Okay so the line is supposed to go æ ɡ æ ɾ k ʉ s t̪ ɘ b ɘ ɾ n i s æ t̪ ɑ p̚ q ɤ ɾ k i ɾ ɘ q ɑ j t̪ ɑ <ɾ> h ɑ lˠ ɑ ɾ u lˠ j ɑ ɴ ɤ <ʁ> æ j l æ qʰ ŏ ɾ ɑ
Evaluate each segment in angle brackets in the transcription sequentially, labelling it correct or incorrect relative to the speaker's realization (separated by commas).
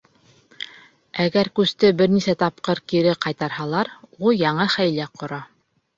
correct, incorrect